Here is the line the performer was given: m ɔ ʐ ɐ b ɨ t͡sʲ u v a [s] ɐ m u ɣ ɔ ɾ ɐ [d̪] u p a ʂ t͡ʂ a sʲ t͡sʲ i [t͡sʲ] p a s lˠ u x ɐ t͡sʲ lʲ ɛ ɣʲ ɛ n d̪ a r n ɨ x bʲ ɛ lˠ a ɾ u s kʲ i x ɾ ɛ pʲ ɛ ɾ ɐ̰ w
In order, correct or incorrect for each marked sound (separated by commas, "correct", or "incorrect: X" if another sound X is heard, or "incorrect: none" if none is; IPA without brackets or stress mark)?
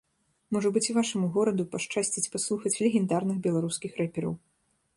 incorrect: ʂ, correct, correct